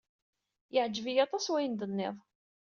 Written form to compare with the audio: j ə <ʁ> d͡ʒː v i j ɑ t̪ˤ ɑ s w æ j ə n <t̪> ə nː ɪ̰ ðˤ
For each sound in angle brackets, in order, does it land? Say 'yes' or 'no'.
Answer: no, no

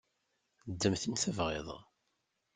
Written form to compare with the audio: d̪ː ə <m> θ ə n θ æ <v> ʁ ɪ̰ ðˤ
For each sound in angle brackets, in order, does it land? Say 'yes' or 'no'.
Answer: yes, yes

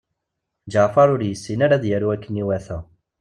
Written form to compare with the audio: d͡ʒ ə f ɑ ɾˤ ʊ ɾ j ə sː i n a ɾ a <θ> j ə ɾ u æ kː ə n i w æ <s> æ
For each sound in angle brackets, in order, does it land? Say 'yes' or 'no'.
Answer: no, no

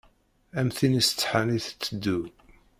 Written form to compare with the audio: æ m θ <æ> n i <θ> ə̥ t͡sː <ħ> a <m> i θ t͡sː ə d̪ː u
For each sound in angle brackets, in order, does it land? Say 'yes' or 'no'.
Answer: no, no, yes, no

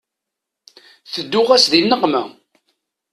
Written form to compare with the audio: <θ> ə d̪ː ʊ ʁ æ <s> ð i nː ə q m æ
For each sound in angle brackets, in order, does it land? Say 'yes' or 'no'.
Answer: yes, yes

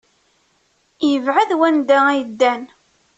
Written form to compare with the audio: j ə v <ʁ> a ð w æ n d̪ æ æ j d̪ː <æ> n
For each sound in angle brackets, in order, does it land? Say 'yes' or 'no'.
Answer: no, yes

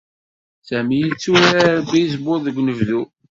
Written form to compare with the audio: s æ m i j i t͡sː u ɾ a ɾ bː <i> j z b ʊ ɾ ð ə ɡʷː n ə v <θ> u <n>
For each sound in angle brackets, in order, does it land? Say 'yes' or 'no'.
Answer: yes, no, no

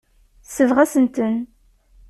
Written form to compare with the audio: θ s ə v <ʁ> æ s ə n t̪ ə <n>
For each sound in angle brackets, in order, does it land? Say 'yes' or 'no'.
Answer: yes, yes

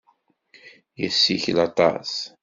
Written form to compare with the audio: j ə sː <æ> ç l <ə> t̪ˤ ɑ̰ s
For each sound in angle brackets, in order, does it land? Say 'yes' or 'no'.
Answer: no, no

